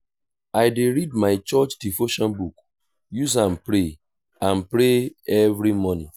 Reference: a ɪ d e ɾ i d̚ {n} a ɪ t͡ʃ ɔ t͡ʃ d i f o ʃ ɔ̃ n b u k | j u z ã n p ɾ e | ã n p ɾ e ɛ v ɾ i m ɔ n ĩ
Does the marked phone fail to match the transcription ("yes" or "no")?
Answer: yes